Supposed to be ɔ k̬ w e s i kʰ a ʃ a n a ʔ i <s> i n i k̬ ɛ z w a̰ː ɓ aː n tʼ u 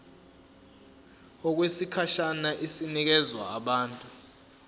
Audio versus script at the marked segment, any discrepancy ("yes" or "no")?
no